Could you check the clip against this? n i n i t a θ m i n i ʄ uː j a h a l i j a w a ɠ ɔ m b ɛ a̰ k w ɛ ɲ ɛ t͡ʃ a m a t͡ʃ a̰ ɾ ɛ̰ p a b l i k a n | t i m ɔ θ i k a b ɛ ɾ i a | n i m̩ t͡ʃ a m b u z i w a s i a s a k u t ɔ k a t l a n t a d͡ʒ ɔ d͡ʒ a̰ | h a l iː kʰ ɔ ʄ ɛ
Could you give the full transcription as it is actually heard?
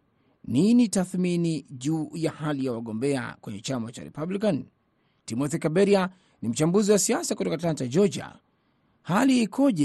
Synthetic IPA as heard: n i n i t a θ m i n i ʄ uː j a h a l i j a w a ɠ ɔ m b ɛ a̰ k w ɛ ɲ ɛ t͡ʃ a m a t͡ʃ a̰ ɾ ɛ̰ p a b l i k a n | t i m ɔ θ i k a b ɛ ɾ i a | n i m̩ t͡ʃ a m b u z i w a s i a s a k u t ɔ k a t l a n t a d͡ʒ ɔ d͡ʒ a̰ | h a l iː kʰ ɔ ʄ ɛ